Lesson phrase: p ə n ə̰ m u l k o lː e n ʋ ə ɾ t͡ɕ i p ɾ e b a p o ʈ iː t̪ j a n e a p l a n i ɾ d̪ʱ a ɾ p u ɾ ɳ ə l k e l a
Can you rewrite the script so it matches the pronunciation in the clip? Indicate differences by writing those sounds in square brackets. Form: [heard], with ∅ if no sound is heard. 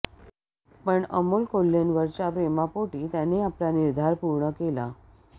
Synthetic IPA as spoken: p ə [ɳ] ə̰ m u l k o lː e n ʋ ə ɾ t͡ɕ [a] p ɾ e [m] a p o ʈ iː t̪ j a n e a p l a n i ɾ d̪ʱ a ɾ p u ɾ ɳ ə [∅] k e l a